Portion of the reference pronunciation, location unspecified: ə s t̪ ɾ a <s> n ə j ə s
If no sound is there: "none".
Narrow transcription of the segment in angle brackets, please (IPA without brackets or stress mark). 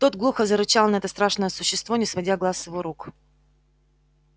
ʂ